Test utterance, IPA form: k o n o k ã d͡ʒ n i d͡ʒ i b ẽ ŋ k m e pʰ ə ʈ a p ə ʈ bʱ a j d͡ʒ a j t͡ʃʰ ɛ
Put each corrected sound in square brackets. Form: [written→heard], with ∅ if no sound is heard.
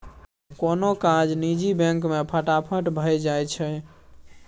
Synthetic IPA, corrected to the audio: k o n o k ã d͡ʒ n i d͡ʒ i b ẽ ŋ k m e pʰ ə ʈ a [p→pʰ] ə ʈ bʱ [a→ə] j d͡ʒ a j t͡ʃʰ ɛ